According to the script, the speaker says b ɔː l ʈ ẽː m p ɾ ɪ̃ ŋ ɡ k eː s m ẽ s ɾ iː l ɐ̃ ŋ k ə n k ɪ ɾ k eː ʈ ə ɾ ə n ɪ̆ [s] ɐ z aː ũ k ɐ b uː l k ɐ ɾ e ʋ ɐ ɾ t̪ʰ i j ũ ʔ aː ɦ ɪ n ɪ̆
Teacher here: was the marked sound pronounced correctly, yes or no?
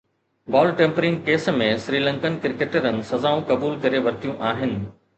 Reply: yes